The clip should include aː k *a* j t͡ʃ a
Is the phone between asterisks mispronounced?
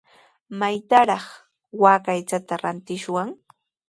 no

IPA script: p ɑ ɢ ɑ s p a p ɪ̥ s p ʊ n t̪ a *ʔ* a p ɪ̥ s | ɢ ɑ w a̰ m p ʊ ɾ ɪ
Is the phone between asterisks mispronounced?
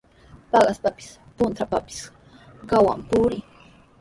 yes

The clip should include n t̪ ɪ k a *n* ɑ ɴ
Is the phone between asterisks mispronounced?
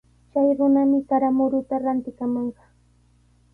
yes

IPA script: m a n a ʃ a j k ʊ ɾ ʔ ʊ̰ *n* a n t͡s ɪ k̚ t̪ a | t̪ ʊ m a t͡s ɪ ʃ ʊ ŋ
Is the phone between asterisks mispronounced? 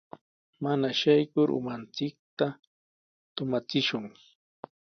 yes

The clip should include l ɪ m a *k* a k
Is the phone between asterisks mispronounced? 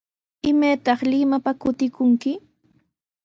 yes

